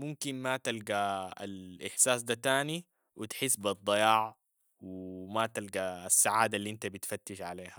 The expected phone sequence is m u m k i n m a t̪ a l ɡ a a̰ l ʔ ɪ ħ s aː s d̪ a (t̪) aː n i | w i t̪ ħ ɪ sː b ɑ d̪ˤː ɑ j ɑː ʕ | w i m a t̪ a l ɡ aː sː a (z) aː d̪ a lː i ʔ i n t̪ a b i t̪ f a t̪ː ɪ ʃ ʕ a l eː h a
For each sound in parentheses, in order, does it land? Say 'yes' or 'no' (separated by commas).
yes, no